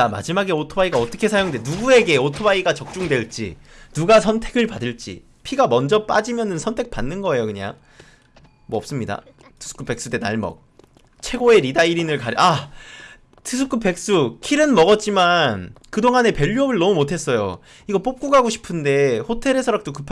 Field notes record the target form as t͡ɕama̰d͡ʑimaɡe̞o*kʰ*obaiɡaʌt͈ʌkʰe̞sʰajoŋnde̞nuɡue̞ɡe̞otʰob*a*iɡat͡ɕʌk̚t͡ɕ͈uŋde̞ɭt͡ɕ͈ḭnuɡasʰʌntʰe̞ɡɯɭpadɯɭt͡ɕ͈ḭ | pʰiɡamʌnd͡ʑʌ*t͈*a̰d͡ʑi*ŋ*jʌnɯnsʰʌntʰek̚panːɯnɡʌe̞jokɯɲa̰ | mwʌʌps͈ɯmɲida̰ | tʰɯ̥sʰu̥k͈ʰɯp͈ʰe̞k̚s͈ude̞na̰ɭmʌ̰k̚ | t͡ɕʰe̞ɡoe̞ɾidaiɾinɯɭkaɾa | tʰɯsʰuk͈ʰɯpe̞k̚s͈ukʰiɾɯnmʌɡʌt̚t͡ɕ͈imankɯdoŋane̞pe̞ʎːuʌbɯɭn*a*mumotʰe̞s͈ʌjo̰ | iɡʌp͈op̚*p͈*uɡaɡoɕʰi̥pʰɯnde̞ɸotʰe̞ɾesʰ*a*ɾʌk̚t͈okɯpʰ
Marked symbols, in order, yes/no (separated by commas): no, yes, no, no, no, no, no